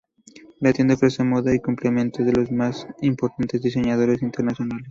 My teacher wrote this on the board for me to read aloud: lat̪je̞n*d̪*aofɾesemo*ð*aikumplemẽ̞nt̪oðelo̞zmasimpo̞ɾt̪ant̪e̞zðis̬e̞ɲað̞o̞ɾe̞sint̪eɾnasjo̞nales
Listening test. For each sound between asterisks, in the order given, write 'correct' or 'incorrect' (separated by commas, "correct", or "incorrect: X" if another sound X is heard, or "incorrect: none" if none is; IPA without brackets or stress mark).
correct, correct